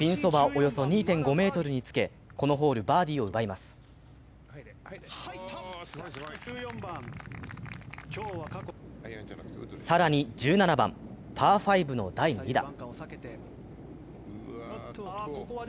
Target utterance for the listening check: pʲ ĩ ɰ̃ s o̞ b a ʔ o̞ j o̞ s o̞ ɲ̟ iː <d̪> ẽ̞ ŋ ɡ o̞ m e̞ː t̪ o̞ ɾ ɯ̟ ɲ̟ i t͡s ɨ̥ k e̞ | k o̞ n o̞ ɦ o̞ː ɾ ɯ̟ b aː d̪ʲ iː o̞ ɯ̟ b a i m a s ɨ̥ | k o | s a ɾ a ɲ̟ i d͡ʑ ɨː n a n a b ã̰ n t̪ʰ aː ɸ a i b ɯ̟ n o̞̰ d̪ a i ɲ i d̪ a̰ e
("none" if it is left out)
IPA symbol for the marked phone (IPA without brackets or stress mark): t̪